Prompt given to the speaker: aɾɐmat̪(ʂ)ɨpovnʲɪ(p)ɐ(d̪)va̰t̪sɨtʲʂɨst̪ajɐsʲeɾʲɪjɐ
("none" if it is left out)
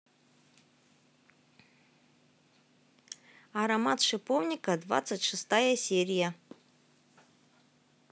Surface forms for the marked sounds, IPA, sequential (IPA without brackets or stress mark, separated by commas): ʂ, k, d̪